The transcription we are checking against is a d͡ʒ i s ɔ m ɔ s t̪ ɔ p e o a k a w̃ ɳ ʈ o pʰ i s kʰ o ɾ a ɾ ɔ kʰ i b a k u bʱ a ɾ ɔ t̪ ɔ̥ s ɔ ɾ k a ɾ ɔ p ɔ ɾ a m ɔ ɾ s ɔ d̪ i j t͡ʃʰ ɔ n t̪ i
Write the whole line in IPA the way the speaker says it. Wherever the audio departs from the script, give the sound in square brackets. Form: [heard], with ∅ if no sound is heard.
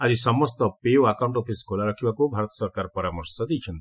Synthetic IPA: a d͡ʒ i s ɔ m ɔ s t̪ ɔ p e o a k a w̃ ɳ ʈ o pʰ i s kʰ o [l] a ɾ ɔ kʰ i b a k u bʱ a ɾ ɔ t̪ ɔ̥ s ɔ ɾ k a ɾ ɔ p ɔ ɾ a m ɔ ɾ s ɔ d̪ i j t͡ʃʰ ɔ n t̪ i